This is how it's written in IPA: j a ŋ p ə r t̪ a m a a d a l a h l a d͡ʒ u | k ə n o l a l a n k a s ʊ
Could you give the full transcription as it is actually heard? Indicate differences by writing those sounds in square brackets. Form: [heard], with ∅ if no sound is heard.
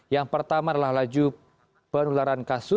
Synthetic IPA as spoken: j a ŋ p ə r t̪ a m a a d a l a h l a d͡ʒ u | [p] ə n [u] l a [ɾ] a n k a s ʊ